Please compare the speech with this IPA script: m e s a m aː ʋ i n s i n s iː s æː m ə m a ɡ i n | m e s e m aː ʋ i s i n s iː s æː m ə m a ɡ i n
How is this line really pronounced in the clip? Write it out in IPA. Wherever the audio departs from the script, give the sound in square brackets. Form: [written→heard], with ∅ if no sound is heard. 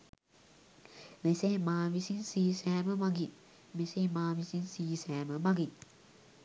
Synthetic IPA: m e s [a→e] m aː ʋ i [n→∅] s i n s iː s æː m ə m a ɡ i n | m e s e m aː ʋ i s i n s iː s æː m ə m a ɡ i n